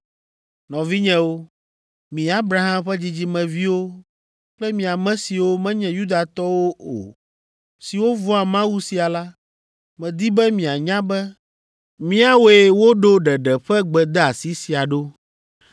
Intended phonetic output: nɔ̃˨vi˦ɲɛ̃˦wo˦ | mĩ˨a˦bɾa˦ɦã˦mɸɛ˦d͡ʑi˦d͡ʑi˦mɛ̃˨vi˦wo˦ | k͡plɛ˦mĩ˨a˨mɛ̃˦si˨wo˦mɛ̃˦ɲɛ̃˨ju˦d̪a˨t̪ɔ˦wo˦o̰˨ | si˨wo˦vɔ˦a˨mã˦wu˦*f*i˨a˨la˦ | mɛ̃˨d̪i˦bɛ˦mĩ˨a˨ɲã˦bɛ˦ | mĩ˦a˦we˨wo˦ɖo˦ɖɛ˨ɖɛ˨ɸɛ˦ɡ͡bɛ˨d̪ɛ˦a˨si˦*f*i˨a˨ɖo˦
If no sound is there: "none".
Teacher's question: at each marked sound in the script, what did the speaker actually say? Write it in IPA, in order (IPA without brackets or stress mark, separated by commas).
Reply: s, s